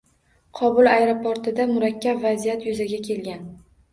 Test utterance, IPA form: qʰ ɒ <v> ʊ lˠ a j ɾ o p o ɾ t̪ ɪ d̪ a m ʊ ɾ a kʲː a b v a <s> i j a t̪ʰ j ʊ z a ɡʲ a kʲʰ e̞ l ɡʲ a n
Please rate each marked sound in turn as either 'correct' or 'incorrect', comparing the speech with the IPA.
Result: incorrect, incorrect

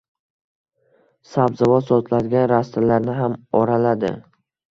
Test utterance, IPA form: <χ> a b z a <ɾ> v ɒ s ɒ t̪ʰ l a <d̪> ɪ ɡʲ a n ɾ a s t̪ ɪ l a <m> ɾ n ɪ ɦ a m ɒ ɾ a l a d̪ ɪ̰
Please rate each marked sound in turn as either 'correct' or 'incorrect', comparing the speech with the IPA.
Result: incorrect, incorrect, correct, incorrect

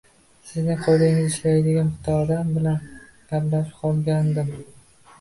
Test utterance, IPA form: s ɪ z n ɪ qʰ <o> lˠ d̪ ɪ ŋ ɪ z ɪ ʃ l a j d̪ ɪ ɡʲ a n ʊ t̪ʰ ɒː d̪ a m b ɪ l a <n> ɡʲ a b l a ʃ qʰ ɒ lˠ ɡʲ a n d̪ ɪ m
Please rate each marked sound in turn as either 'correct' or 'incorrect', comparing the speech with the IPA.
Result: correct, correct

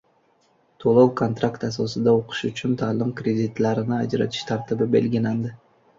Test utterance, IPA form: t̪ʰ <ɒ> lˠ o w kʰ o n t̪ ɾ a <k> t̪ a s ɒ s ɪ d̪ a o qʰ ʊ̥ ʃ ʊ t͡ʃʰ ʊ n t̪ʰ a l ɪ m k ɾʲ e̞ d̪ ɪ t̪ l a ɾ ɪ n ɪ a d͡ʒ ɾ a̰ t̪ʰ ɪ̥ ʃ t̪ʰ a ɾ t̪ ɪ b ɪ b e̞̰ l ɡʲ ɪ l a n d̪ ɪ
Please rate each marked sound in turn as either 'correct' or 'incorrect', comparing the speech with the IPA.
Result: incorrect, correct

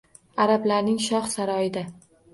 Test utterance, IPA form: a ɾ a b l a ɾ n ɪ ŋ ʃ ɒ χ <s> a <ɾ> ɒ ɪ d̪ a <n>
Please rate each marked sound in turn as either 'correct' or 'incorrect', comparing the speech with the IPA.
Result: correct, correct, incorrect

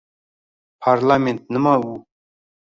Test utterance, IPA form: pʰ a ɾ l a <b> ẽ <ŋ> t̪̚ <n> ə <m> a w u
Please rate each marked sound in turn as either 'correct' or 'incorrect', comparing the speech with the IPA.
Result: incorrect, incorrect, correct, correct

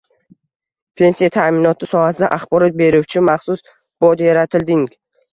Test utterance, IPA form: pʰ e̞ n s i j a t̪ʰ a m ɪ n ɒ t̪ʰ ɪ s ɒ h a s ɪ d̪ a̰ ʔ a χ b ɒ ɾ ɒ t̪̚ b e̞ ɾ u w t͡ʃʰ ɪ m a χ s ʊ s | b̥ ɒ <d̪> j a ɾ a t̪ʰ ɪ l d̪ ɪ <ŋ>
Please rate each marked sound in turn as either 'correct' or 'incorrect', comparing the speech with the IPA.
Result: correct, correct

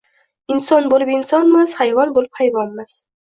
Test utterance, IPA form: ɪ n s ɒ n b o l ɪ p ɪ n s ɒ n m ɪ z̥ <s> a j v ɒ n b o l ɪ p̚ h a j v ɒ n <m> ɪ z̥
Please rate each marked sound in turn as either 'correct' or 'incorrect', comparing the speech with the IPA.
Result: incorrect, correct

